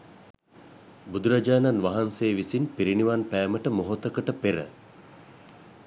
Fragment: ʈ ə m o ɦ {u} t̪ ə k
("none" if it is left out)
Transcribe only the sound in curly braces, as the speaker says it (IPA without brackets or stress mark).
o